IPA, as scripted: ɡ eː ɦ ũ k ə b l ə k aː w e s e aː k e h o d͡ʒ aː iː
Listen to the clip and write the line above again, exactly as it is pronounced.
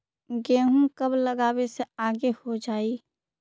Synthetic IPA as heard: ɡ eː ɦ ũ k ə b l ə ɡ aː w e s e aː ɡ e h o d͡ʒ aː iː